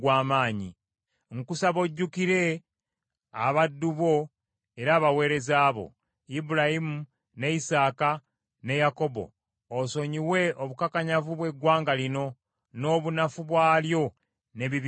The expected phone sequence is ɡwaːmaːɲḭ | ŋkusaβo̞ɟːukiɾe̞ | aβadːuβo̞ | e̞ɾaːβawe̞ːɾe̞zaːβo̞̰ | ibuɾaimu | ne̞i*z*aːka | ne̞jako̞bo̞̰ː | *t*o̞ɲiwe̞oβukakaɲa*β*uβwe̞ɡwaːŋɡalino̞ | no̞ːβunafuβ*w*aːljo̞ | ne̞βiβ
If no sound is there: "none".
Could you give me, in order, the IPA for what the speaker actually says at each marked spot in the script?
s, s, v, w

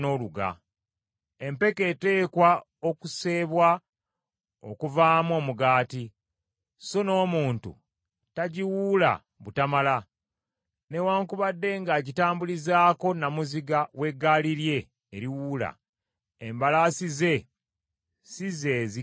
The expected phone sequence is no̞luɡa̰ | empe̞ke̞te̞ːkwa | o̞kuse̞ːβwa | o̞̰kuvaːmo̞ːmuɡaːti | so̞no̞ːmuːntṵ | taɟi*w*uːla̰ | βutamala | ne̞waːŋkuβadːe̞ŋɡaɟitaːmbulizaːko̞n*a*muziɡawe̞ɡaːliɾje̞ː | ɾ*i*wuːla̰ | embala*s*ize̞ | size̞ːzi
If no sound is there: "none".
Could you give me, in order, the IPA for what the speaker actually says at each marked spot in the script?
w, a, i, s

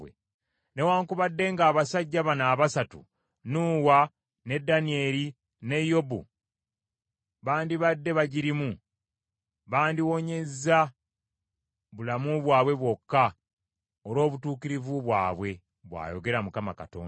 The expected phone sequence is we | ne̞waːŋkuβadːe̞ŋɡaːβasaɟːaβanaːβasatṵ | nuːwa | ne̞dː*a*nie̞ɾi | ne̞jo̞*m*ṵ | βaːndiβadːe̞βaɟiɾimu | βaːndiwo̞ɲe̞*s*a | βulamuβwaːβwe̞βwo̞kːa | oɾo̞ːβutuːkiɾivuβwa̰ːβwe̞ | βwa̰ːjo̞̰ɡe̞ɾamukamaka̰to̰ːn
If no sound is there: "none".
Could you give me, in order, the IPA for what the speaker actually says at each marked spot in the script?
a, b, z

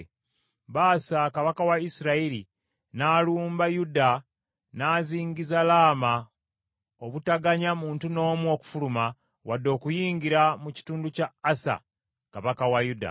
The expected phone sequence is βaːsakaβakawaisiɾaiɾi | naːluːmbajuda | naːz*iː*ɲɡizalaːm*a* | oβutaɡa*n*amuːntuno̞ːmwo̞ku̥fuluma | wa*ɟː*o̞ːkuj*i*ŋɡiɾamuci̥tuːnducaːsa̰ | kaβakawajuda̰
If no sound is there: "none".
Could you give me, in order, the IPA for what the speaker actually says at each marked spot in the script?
iː, a, ɲ, dː, iː

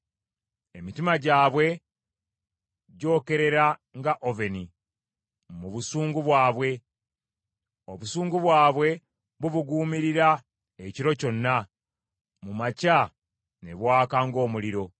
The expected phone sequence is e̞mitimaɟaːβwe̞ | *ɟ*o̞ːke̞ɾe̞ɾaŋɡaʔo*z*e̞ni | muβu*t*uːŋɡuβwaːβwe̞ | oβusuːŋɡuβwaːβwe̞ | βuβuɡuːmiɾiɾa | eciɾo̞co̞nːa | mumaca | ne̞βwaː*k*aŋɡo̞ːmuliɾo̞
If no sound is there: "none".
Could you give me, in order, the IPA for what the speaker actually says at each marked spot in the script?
ɟ, v, s, k

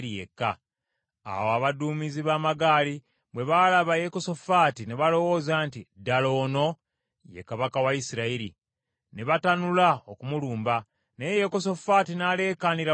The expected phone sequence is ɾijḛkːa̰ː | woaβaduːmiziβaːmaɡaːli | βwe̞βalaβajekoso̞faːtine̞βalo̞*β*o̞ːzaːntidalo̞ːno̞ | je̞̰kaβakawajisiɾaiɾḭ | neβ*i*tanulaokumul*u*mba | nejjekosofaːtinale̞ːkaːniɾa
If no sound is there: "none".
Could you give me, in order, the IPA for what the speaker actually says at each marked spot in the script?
w, a, uː

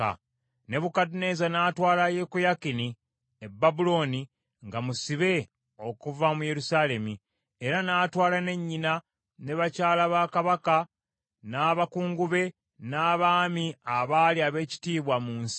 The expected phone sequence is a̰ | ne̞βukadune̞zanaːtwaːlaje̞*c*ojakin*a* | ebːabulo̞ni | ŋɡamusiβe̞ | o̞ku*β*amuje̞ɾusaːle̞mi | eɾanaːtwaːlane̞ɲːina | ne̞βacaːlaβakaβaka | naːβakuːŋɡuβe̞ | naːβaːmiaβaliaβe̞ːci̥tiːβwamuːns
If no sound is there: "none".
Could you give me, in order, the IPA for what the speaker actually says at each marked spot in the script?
k, i, v

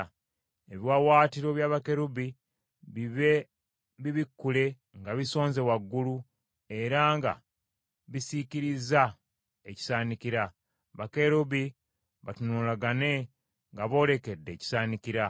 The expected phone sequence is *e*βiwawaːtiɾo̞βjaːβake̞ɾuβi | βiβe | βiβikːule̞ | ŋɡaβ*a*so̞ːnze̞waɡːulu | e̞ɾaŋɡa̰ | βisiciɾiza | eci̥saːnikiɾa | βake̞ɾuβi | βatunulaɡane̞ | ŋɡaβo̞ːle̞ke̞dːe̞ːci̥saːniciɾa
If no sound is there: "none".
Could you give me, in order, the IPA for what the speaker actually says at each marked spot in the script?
e, i

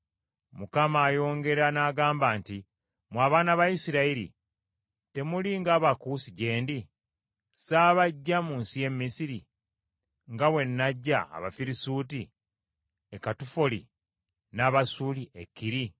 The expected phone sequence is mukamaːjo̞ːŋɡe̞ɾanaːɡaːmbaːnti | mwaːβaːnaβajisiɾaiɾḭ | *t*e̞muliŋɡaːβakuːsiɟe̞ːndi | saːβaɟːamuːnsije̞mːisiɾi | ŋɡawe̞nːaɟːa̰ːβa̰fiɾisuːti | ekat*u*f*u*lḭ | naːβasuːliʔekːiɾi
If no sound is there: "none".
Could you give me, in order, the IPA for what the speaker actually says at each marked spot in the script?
t, u, o

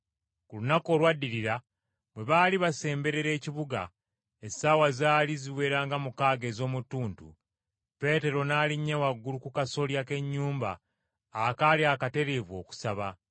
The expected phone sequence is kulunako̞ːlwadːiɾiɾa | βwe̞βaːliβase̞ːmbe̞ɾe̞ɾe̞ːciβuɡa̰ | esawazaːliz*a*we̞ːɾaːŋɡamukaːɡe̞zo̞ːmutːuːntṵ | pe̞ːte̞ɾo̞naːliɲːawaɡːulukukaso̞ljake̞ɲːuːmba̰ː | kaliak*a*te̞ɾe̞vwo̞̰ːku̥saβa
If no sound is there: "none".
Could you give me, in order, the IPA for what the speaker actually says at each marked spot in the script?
i, a

